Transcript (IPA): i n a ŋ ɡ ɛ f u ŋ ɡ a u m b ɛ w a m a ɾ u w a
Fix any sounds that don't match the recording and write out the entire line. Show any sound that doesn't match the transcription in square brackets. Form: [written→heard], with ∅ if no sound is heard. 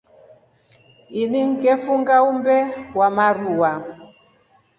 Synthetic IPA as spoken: i n [a→i] ŋ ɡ ɛ f u ŋ ɡ a u m b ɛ w a m a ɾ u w a